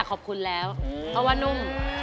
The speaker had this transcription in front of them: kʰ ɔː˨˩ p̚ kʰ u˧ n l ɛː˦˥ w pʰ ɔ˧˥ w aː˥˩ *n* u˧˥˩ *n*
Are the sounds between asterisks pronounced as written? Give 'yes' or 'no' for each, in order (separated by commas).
yes, no